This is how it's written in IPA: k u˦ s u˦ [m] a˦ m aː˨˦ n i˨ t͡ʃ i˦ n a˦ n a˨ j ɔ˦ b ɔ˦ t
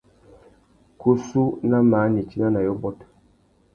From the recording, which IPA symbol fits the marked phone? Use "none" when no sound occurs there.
n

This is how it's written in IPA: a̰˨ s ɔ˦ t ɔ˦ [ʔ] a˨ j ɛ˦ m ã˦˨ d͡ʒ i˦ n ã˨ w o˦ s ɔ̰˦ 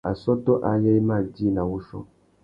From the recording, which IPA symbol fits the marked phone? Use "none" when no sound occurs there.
ʔ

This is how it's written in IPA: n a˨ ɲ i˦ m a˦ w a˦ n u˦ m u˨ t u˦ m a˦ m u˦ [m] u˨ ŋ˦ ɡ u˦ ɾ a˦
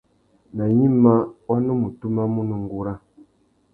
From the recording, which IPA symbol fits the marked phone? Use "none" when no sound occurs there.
n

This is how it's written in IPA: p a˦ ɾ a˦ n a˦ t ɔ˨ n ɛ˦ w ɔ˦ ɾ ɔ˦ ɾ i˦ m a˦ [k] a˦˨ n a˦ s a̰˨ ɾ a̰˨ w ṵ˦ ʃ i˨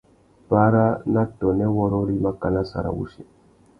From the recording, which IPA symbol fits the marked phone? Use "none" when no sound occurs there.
k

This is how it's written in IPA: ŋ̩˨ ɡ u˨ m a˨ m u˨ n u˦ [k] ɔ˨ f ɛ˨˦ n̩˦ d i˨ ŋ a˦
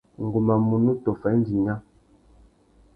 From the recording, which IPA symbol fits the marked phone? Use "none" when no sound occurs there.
t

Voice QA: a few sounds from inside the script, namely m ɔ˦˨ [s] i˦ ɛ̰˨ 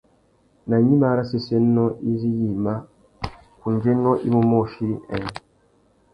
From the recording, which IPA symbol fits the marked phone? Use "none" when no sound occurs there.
ʃ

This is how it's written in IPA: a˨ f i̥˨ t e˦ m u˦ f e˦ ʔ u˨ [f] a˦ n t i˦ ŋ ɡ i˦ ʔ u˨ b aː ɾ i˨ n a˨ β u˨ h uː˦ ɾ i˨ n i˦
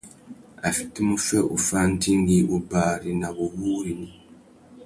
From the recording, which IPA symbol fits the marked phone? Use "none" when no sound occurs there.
f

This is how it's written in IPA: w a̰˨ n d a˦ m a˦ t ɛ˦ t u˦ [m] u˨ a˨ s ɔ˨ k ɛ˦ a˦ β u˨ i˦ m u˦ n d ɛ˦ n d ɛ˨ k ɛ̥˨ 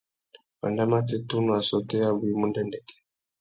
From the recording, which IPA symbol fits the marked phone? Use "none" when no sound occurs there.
n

